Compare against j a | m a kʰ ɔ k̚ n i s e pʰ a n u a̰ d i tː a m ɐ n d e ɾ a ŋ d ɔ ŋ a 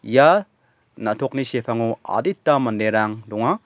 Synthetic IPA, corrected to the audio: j a | n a tʰ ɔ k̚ n i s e pʰ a ŋ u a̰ d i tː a m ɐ n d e ɾ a ŋ d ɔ ŋ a